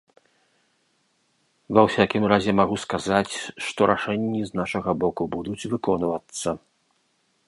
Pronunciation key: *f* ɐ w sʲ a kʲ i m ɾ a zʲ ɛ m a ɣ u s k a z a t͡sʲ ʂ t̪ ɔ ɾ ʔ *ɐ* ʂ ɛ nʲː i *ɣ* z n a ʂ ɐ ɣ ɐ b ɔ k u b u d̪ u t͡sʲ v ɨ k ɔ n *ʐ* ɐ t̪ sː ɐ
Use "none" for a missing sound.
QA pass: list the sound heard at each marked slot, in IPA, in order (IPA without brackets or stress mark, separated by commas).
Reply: v, a, none, v